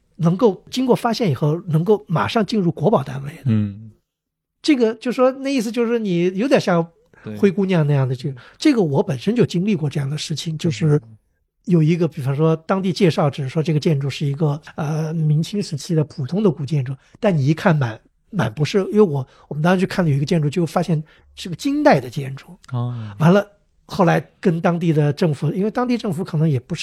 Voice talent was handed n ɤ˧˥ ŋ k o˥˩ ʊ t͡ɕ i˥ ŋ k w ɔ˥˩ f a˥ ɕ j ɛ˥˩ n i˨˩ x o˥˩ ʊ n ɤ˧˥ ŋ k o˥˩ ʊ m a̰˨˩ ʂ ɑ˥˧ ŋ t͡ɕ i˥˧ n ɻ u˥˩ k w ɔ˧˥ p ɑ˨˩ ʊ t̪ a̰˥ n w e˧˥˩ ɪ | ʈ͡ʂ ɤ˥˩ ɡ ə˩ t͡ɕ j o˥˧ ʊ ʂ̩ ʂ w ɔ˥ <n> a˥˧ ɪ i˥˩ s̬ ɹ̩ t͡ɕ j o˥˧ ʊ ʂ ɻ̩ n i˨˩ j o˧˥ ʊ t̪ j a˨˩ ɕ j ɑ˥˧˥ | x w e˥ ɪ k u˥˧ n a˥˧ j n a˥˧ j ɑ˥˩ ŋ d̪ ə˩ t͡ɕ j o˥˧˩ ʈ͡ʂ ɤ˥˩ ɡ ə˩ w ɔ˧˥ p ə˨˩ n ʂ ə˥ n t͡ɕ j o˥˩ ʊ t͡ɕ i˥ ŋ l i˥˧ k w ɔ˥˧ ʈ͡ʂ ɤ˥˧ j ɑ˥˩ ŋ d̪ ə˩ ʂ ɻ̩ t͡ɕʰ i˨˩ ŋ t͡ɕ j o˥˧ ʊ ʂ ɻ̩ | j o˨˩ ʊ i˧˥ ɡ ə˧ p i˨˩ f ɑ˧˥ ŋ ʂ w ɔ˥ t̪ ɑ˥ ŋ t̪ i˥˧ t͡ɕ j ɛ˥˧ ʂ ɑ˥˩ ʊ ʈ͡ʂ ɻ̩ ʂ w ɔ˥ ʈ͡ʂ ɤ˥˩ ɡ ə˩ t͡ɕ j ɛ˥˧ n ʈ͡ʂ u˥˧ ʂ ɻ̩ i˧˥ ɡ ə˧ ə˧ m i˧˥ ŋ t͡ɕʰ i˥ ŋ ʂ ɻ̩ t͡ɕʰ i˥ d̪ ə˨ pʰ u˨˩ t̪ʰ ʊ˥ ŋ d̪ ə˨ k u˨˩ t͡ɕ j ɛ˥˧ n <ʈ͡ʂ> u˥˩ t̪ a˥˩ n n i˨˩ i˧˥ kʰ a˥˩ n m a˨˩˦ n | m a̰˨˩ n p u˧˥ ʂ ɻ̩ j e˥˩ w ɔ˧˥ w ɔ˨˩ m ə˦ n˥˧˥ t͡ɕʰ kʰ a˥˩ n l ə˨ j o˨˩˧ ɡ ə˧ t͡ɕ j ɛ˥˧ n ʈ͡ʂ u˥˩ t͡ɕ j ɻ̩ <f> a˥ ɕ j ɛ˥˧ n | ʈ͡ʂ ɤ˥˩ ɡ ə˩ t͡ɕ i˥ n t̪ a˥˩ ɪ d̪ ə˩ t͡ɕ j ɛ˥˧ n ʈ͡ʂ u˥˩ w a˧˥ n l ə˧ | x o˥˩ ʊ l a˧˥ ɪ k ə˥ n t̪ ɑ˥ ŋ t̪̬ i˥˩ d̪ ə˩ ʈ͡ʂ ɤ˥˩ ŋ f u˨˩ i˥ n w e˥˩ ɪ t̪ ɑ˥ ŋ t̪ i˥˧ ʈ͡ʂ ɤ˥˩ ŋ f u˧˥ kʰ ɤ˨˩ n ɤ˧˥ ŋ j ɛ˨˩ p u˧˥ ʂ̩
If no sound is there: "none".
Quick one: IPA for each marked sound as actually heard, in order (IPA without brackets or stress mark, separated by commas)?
n, ʈ͡ʂ, f